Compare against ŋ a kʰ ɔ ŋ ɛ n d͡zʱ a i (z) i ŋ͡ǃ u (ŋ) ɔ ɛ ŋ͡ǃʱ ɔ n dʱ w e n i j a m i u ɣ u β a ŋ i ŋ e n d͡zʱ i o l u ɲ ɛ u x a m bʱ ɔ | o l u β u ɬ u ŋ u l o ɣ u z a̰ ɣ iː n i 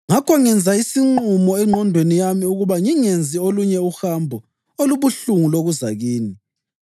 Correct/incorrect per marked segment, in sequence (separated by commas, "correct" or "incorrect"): incorrect, incorrect